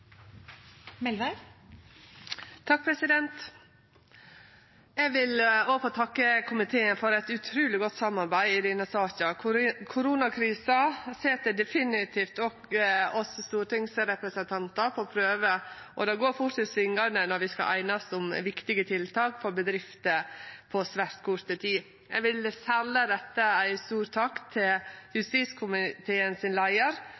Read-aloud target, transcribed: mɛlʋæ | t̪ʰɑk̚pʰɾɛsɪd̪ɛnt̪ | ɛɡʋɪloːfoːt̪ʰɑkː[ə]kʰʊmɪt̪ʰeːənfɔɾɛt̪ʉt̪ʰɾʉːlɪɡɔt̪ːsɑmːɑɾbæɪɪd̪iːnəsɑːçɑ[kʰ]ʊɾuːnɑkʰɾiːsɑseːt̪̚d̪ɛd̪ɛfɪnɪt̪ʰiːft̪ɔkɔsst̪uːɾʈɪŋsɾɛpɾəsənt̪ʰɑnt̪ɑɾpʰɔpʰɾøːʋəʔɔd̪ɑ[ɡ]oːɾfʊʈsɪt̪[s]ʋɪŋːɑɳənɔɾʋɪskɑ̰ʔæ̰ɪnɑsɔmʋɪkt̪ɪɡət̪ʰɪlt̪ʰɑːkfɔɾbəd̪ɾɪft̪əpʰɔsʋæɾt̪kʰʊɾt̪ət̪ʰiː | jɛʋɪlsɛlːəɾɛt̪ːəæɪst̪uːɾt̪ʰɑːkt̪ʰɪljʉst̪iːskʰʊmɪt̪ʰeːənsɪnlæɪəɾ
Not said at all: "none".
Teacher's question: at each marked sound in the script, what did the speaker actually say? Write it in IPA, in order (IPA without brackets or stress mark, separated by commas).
ə, kʰ, ɡ, s